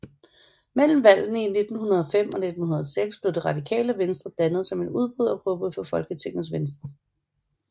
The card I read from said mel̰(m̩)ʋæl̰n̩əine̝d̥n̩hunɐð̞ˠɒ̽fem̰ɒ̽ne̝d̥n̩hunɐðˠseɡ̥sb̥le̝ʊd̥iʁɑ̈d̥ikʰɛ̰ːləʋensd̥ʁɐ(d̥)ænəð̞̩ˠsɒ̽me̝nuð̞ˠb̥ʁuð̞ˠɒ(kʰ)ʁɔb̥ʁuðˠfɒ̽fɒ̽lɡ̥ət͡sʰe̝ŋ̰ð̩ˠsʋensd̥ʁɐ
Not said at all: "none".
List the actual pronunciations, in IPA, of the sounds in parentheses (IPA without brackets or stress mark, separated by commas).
m̩, d̥, pʰ